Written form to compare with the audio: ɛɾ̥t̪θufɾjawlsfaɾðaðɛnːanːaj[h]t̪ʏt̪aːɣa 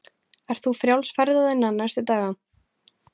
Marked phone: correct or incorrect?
incorrect: s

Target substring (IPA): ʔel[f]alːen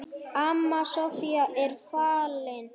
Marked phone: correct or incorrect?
correct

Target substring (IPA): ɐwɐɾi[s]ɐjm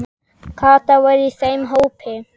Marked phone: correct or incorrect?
correct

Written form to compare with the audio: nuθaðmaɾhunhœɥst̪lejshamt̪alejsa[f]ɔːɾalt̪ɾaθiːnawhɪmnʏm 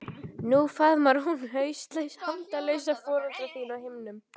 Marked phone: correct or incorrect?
correct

